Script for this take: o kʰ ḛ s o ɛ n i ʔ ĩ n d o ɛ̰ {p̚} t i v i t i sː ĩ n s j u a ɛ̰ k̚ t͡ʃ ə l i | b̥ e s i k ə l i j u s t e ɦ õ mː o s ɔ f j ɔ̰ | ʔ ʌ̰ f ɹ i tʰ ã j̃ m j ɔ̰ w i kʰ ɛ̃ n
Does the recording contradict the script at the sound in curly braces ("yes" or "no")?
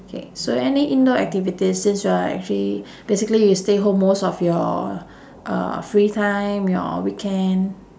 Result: yes